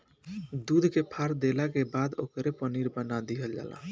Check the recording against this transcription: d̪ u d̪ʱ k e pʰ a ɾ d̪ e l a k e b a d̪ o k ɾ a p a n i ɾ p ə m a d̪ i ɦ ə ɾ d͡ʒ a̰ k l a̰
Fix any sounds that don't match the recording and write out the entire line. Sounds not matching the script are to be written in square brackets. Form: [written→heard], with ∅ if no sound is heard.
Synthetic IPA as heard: d̪ u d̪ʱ k e pʰ a ɾ d̪ e l a k e b a d̪ o k ɾ [a→e] p [a→ə] n i ɾ [p→b] ə [m→n] a d̪ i ɦ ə [ɾ→l] d͡ʒ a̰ [k→∅] l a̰